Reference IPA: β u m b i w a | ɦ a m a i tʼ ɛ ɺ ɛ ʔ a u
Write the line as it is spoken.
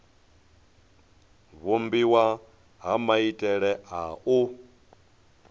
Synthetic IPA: β u m b i w a | ɦ a m a i tʼ ɛ ɺ ɛ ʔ a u